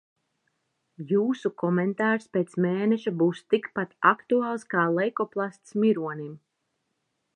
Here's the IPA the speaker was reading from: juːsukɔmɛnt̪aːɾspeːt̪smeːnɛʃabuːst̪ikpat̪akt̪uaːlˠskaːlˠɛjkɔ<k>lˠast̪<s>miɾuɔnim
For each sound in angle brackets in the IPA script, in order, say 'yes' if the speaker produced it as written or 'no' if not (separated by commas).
no, yes